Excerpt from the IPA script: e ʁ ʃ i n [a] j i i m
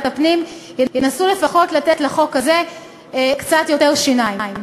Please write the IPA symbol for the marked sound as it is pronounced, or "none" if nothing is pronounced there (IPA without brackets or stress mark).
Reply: a